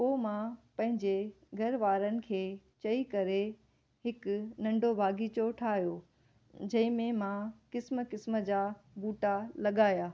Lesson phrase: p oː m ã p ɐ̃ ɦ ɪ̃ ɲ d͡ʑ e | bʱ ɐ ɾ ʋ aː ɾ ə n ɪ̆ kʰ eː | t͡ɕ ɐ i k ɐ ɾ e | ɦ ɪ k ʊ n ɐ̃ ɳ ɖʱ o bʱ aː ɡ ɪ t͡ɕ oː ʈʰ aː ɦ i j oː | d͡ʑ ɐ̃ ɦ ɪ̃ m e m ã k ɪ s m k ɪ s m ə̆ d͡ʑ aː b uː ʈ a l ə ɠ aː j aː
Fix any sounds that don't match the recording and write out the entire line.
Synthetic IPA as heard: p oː m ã p ɐ̃ ɦ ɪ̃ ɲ d͡ʑ e | ɡʱ ɐ ɾ ʋ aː ɾ ə n ɪ̆ kʰ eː | t͡ɕ ɐ i k ɐ ɾ e | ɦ ɪ k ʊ n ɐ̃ ɳ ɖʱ o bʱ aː ɡ i t͡ɕ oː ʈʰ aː ɦ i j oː | d͡ʑ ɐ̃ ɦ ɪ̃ m ẽ m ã k ɪ s m k ɪ s m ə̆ d͡ʑ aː b uː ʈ a l ɐ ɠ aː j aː